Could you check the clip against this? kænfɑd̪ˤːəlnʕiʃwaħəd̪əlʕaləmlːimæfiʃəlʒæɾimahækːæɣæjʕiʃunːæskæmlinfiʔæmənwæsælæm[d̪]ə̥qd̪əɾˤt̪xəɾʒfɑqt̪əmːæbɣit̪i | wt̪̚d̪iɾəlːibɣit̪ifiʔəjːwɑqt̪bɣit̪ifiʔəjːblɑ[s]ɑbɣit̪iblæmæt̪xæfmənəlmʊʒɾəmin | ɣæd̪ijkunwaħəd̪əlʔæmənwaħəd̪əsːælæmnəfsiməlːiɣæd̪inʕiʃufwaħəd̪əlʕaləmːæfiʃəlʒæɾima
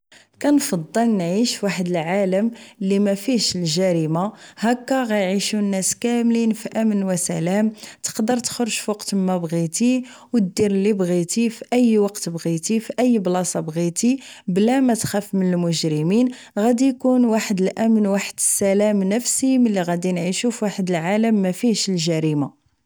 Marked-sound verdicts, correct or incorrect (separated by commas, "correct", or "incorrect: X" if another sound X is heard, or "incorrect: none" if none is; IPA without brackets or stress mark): incorrect: t̪, correct